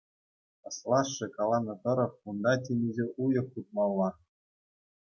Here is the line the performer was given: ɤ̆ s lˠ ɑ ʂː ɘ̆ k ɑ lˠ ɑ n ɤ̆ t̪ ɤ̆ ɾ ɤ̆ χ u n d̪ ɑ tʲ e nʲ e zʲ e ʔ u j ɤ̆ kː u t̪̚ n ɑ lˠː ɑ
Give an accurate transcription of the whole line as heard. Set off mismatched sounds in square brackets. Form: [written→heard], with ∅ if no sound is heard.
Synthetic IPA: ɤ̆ s lˠ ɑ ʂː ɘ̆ k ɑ lˠ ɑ n ɤ̆ t̪ ɤ̆ ɾ ɤ̆ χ u n d̪ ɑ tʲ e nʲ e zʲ e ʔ u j ɤ̆ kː u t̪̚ [n→m] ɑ lˠː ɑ